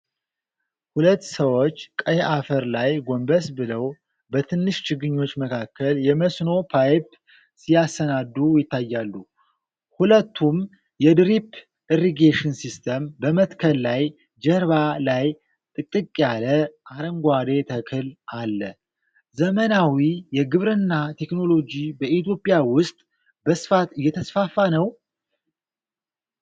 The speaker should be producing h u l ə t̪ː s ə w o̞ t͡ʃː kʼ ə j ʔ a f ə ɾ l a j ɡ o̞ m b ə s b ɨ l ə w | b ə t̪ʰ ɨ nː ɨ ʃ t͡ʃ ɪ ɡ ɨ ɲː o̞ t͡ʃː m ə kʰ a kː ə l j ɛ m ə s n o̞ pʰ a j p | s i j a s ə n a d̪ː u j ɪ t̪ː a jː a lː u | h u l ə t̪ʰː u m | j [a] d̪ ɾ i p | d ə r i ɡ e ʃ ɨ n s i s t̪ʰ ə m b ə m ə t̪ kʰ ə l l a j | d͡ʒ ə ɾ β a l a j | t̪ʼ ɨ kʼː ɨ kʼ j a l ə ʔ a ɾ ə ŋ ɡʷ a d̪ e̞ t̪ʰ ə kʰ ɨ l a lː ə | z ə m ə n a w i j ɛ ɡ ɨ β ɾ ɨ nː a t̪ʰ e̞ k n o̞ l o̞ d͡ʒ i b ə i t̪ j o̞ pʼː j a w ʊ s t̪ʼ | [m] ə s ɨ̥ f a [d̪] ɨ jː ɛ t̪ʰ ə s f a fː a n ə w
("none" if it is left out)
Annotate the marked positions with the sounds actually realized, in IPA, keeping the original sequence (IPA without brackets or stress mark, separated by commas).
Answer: ɛ, b, t̪